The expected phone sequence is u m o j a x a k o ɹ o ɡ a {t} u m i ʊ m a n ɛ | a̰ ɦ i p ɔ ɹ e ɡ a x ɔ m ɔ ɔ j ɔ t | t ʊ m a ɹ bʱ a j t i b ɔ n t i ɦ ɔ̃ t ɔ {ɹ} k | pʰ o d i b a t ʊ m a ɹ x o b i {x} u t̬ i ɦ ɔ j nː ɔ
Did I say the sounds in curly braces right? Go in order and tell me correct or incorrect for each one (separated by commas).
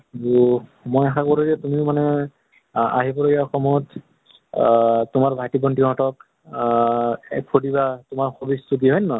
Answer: correct, incorrect, incorrect